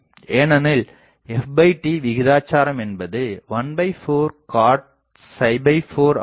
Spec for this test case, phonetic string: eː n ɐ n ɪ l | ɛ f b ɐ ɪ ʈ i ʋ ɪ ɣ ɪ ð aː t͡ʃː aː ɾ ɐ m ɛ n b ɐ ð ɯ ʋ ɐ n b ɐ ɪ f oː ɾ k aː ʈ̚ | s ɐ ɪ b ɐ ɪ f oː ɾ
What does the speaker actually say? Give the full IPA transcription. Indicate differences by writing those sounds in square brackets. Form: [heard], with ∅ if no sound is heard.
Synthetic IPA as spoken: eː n ɐ n ɪ l | ɛ f b ɐ ɪ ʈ i ʋ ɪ ɣ ɪ ð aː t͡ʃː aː ɾ ɐ m ɛ n b ɐ ð ɯ ʋ ɐ n b ɐ ɪ f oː ɾ k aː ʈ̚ | s ɐ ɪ b ɐ ɪ f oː ɾ